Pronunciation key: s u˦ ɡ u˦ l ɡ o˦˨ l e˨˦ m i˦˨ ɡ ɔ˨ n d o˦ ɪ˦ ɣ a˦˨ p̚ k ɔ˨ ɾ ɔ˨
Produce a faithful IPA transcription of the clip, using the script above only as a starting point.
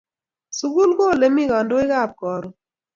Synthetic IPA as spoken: s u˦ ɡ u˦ l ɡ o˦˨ l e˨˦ m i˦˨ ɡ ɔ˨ n d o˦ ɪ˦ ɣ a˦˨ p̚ k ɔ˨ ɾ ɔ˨